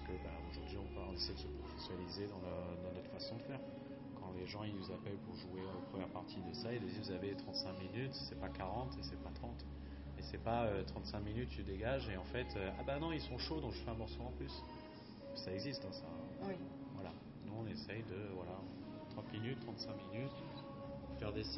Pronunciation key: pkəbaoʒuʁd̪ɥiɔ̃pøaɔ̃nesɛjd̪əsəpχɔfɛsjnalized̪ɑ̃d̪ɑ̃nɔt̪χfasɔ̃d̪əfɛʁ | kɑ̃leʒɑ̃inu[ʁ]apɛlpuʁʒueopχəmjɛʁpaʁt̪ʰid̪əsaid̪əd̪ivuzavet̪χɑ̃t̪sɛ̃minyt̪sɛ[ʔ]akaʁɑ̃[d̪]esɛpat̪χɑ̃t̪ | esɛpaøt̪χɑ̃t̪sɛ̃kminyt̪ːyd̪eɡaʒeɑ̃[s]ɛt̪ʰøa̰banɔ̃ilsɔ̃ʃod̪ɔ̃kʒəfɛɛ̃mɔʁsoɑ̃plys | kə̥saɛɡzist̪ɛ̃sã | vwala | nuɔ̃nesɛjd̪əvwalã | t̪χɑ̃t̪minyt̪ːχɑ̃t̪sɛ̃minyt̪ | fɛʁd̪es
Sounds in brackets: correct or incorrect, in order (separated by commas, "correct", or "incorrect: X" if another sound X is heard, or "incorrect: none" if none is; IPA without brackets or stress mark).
incorrect: z, incorrect: p, incorrect: t̪, incorrect: f